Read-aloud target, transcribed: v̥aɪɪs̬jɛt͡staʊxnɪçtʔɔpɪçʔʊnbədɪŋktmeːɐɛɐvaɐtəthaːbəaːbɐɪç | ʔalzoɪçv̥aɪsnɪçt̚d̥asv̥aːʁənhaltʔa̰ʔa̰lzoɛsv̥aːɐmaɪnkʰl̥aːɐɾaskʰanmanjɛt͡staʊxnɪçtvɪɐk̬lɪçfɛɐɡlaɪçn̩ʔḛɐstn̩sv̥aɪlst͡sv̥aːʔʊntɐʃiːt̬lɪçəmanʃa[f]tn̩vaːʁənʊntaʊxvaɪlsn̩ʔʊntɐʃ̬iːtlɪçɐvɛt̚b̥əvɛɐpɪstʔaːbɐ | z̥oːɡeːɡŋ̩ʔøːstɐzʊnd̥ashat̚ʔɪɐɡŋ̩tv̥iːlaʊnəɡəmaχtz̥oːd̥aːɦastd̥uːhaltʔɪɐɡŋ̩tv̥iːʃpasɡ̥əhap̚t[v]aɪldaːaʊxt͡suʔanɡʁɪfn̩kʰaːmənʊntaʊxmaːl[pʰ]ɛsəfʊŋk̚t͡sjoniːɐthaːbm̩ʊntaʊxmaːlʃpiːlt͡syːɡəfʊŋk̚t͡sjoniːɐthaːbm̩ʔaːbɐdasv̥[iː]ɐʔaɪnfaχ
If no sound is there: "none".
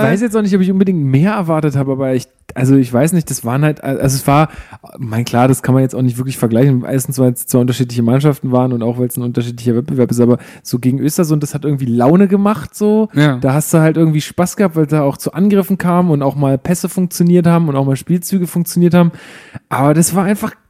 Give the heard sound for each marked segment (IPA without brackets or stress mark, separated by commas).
f, v, pʰ, aː